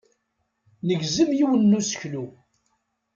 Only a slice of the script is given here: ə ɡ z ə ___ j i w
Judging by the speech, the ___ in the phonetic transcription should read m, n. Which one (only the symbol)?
m